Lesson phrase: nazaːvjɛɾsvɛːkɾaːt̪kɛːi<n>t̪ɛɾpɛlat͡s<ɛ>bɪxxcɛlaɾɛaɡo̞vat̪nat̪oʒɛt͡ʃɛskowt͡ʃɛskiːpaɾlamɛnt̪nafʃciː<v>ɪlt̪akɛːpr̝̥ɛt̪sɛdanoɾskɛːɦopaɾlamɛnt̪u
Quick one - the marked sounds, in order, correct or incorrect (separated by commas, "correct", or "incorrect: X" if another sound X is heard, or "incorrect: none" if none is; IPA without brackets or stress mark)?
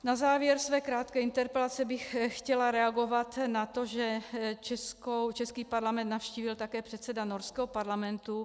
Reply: correct, correct, correct